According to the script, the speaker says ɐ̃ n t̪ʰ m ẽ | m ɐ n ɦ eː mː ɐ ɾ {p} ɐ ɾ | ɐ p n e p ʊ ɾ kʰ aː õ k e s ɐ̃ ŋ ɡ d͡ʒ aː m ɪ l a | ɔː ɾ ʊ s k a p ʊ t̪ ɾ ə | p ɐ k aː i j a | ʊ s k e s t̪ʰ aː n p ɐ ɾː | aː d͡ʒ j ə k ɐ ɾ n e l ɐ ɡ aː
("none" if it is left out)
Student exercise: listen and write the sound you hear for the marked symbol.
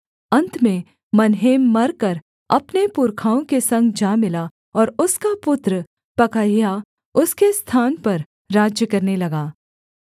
k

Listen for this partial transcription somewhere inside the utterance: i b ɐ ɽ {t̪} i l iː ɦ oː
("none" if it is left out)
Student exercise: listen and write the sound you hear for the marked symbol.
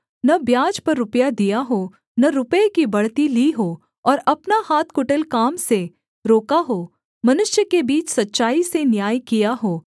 t̪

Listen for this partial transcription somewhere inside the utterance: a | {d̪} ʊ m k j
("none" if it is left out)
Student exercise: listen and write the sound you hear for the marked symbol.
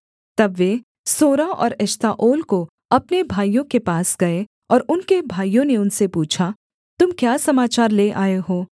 t̪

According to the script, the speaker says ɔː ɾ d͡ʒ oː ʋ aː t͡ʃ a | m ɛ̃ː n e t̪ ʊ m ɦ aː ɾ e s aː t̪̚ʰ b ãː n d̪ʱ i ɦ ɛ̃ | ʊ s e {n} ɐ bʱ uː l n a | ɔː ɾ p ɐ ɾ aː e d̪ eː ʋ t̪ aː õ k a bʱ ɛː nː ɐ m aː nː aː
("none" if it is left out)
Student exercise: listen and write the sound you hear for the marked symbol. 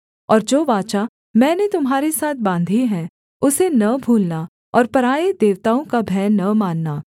n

